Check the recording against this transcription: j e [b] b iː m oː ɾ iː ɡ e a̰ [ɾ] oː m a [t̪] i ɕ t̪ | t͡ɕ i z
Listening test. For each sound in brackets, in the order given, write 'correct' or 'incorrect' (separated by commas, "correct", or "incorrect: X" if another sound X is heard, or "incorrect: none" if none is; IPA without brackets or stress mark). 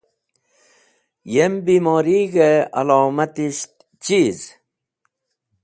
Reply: incorrect: m, incorrect: l, correct